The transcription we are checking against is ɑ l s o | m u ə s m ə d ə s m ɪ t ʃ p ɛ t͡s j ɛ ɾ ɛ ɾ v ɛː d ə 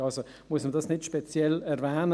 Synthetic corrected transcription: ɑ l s o | m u ə s m ə d ɑ s n ɪ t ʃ p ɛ t͡s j ɛ l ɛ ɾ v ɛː n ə

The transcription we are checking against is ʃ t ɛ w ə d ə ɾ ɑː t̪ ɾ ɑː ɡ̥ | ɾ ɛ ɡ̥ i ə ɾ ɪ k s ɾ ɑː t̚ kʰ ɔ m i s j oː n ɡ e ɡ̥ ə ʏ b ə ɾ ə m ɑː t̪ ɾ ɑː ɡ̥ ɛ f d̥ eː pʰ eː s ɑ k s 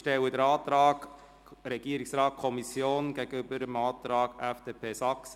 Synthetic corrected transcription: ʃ t ɛ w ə d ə ɾ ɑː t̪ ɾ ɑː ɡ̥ | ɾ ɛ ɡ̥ i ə ɾ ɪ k s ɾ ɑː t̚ kʰ ɔ m i s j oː n ɡ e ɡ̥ ə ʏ b ə ɾ ə m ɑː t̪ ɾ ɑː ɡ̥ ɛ f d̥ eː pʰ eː s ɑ k s

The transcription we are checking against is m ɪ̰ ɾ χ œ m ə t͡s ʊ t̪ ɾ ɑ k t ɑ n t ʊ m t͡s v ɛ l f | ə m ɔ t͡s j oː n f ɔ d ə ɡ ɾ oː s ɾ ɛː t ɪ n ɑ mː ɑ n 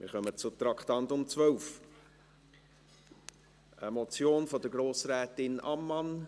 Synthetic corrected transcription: m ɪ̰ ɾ χ œ m ə t͡s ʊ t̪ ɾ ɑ k t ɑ n t ʊ m t͡s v œ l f | ə m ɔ t͡s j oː n f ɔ d ə ɡ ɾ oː s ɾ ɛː t ɪ n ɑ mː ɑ n

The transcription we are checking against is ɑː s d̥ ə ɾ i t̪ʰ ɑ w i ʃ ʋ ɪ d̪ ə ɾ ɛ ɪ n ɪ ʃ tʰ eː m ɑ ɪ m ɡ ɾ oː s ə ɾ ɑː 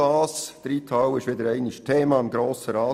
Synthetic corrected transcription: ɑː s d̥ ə ɾ i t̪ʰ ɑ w ɪ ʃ ʋ ɪ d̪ ə ɾ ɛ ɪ n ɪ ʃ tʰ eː m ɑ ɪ m ɡ ɾ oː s ə ɾ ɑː

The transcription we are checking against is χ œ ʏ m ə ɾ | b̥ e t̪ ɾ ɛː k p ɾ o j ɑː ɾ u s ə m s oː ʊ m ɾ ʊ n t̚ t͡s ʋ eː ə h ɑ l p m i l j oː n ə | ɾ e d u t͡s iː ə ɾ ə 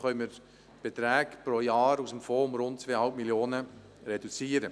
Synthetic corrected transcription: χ œ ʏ m ə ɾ | b̥ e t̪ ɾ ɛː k p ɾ o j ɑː ɾ u s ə m f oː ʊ m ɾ ʊ n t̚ t͡s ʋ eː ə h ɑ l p m i l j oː n ə | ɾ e d u t͡s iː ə ɾ ə

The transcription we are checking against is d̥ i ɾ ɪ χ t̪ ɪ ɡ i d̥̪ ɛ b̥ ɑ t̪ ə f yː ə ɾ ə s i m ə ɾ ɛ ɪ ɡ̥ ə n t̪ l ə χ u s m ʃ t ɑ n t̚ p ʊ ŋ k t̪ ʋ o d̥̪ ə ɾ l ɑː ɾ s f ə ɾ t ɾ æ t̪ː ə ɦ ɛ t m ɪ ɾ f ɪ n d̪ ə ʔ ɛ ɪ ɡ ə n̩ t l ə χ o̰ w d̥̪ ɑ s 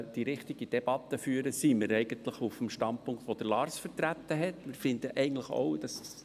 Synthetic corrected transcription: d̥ i ɾ ɪ χ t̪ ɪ ɡ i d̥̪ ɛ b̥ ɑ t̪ ə f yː ə ɾ ə s i m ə ɾ ɛ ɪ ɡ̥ ə n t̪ l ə χ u f m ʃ t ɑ n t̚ p ʊ ŋ k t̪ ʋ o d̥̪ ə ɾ l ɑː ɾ s f ə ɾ t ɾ æ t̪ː ə ɦ ɛ t m ɪ ɾ f ɪ n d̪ ə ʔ ɛ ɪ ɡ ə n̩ t l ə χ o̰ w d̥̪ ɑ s

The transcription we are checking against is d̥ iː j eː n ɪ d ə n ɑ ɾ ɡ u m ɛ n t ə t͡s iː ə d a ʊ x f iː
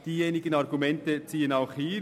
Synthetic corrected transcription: d̥ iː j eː n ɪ ɡ ə n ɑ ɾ ɡ u m ɛ n t ə t͡s iː ə n a ʊ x h iː

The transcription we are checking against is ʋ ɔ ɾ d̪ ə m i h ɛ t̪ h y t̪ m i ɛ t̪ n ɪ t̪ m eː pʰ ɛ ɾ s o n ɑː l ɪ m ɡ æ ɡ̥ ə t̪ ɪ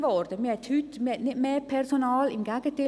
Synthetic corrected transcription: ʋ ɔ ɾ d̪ ə m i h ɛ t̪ h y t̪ m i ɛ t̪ n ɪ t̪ m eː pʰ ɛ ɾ s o n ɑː l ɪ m ɡ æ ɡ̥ ə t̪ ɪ

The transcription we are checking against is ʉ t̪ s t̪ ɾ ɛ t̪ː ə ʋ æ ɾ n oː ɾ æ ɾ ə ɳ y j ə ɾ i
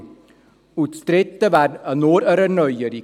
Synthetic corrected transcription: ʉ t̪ s t̪ ɾ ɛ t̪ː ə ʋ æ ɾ n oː ɾ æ ɾ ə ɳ œ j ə ɾ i

